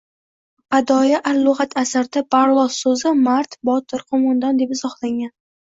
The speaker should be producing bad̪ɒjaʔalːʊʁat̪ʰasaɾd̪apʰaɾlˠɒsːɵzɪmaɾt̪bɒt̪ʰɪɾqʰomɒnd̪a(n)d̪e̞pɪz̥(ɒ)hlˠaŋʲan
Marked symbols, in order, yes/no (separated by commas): yes, yes